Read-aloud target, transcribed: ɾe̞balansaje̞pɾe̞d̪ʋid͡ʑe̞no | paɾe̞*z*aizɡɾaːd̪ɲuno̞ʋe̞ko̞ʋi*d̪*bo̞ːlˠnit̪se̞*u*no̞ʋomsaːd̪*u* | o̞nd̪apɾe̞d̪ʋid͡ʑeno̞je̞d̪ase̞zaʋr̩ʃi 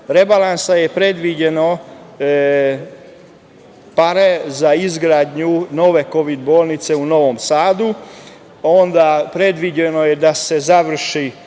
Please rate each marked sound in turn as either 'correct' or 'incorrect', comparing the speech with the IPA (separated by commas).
correct, correct, correct, correct